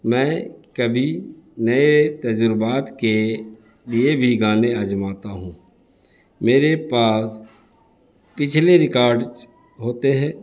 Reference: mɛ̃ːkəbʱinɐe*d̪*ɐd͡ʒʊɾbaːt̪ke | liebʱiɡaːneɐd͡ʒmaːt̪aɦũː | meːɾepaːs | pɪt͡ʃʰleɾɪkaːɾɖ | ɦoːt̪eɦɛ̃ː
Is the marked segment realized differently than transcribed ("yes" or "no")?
yes